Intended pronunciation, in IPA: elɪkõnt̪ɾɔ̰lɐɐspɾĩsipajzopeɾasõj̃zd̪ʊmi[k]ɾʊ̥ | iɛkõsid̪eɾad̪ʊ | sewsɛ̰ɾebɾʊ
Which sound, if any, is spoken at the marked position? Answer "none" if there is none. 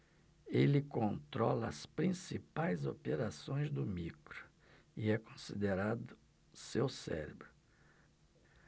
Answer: k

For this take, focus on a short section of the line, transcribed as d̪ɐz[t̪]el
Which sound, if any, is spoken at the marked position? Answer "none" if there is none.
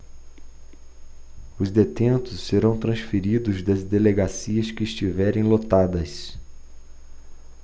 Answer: d̪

